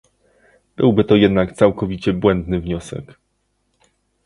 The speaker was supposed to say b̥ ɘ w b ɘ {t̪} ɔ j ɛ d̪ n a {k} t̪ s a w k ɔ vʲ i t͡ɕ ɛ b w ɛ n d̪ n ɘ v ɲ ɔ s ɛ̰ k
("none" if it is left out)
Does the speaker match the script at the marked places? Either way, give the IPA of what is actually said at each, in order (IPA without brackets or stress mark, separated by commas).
t̪, k